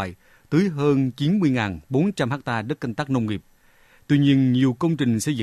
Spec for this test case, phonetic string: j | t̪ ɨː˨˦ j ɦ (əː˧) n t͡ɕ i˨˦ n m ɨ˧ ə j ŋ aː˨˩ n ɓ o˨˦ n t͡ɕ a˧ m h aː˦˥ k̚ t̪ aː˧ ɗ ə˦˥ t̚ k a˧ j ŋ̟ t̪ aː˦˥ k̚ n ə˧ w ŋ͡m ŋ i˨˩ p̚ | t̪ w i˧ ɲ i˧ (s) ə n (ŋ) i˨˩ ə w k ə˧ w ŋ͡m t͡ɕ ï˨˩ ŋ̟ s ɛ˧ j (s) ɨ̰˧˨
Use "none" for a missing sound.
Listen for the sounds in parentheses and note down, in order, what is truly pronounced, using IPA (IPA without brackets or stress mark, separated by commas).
əː˧, none, ɲ, z